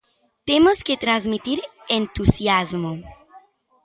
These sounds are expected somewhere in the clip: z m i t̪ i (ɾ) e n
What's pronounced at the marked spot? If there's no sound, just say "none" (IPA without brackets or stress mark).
ɾ